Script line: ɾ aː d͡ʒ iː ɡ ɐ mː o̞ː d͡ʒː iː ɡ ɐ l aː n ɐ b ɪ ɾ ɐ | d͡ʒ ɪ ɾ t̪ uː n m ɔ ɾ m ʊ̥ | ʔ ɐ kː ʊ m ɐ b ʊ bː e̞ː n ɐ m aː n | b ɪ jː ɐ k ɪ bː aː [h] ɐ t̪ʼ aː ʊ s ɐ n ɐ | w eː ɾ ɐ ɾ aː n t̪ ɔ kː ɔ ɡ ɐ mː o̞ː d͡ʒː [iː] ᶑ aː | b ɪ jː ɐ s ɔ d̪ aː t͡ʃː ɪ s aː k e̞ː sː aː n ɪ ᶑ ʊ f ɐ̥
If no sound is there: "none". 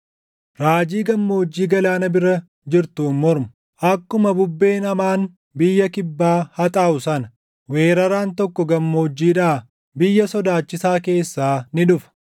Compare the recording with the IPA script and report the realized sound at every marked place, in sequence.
h, iː

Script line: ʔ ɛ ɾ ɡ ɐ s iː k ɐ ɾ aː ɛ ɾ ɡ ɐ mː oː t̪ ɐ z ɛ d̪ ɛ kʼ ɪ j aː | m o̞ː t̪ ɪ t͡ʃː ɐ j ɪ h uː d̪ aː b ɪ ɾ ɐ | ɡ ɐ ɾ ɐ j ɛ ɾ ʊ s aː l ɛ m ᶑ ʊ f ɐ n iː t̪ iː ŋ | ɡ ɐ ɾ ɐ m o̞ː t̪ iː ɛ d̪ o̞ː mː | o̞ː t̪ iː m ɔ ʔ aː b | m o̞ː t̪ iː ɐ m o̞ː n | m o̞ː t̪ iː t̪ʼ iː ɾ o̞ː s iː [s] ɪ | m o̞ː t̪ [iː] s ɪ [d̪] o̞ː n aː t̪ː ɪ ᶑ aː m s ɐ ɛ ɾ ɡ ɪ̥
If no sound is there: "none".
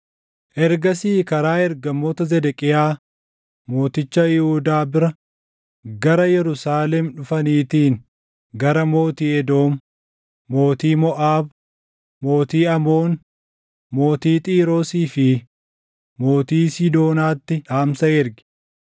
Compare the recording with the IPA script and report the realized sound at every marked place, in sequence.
f, iː, d̪

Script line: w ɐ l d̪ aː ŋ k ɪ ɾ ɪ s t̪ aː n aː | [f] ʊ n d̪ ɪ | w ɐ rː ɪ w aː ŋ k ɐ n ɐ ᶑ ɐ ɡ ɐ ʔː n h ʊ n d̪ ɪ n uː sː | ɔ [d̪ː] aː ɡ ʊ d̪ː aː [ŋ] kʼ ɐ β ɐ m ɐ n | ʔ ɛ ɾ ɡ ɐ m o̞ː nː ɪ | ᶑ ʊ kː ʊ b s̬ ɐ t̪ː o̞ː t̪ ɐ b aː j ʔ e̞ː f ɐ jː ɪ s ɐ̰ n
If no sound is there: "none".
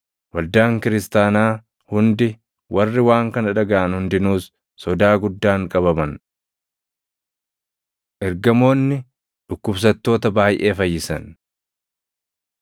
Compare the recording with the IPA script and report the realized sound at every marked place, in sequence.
h, d̪, ŋ

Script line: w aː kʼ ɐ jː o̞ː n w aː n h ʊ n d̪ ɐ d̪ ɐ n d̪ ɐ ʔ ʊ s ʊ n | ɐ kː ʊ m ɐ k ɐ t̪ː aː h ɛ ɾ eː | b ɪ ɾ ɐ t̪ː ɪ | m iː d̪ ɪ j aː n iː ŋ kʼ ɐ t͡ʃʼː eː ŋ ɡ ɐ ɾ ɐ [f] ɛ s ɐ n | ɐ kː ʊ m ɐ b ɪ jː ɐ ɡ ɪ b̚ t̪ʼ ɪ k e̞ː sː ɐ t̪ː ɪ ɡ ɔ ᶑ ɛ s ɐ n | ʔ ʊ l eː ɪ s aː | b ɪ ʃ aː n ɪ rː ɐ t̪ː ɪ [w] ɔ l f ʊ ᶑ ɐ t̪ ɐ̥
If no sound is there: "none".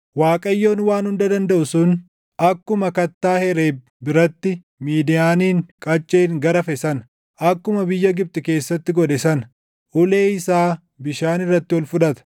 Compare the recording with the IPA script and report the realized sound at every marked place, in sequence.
f, w

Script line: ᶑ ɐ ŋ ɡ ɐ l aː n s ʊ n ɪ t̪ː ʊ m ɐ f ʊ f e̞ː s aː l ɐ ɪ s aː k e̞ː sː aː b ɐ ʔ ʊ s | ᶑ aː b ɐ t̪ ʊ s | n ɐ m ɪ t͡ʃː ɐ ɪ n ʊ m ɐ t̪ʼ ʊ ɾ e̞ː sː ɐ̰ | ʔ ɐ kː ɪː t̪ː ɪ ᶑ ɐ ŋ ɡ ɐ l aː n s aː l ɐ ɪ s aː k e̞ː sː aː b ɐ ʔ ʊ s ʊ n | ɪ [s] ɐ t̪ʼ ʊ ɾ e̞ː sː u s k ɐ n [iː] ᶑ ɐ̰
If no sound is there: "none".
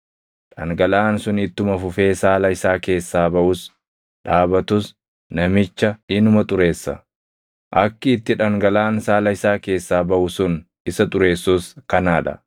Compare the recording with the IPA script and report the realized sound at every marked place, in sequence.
s, aː

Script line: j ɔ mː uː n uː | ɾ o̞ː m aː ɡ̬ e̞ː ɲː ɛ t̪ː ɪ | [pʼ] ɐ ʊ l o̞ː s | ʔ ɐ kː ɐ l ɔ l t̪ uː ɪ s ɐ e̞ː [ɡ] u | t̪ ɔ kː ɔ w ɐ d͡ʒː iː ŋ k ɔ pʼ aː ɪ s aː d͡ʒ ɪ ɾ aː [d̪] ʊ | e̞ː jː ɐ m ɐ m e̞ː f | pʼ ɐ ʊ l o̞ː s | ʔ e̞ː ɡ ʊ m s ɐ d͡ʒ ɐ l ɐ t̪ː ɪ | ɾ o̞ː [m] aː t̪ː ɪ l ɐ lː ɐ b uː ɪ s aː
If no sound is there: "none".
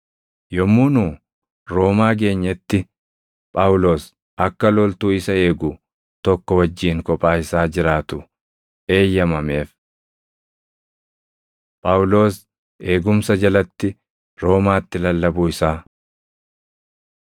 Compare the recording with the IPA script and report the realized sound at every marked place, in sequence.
pʼ, ɡ, t̪, m

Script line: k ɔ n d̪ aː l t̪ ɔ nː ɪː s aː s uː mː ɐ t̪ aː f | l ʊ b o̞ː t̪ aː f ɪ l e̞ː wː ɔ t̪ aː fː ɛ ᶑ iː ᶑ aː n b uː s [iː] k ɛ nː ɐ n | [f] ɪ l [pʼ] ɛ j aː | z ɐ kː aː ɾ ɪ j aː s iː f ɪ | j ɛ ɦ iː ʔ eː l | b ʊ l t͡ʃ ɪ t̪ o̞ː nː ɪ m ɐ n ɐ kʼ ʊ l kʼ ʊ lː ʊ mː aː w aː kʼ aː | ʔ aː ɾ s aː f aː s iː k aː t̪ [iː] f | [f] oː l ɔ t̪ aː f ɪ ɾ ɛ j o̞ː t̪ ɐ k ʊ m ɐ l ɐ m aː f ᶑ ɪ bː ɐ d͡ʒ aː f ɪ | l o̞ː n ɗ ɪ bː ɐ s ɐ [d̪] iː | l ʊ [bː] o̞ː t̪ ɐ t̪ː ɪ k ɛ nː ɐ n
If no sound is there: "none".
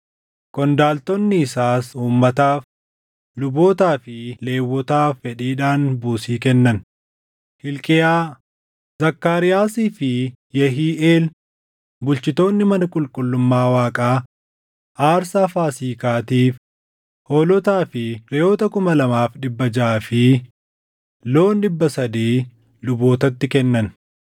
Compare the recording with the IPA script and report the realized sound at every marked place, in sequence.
iː, h, kʼ, iː, h, d̪, b

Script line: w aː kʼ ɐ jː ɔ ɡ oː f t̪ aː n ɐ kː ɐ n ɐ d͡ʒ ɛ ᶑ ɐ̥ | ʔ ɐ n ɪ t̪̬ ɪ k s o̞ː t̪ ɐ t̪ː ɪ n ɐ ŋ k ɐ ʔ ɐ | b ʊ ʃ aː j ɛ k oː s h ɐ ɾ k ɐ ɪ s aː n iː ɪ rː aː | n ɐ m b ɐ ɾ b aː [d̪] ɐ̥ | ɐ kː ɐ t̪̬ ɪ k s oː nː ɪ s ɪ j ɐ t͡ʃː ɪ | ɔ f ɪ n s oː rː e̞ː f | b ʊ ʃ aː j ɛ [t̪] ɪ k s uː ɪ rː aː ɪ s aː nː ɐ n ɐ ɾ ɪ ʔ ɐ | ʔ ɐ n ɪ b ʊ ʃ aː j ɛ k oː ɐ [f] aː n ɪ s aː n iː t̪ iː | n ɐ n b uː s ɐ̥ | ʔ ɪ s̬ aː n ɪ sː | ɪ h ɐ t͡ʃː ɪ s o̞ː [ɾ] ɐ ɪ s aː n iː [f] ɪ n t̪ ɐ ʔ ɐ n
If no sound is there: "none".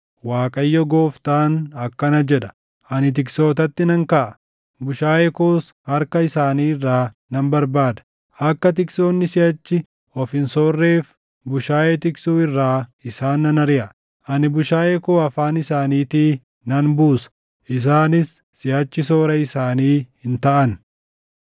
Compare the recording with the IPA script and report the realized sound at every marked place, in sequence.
d̪, t̪, f, ɾ, h

